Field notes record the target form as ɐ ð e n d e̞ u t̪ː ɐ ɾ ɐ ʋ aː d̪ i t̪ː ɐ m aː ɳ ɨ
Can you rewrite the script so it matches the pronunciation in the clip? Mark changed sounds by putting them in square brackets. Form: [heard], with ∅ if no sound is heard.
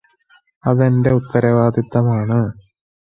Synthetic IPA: ɐ ð e n d e̞ u t̪ː ɐ ɾ ɐ ʋ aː d̪ i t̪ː ɐ m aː ɳ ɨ